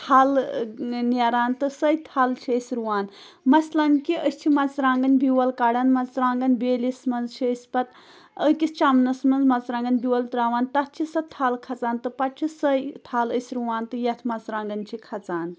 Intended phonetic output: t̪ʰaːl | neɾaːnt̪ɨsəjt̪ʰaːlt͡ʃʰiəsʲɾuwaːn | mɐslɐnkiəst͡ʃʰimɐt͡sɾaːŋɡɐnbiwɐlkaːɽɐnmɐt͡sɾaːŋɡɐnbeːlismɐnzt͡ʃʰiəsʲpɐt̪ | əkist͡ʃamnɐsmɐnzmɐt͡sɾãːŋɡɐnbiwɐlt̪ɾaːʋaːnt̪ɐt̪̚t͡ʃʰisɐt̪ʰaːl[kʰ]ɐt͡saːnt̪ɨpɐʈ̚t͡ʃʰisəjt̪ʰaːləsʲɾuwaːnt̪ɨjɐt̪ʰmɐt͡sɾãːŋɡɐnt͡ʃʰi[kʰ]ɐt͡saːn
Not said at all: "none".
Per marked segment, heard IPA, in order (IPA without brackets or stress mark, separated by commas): kʰ, kʰ